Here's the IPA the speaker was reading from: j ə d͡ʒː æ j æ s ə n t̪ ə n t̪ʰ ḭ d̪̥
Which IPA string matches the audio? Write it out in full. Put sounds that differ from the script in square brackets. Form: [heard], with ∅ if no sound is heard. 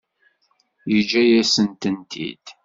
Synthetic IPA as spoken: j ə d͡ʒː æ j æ s ə n t̪ ə n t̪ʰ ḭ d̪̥